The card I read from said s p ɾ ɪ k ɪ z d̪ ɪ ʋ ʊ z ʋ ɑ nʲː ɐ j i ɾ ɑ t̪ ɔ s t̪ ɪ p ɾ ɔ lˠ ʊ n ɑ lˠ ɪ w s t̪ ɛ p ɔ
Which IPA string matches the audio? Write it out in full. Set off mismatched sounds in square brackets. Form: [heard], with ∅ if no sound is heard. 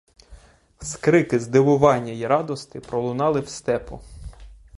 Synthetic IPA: s [k] ɾ ɪ k ɪ z d̪ ɪ ʋ ʊ [∅] ʋ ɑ nʲː ɐ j i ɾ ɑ [d̪] ɔ s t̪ ɪ p ɾ ɔ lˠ ʊ n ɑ lˠ ɪ w s t̪ ɛ p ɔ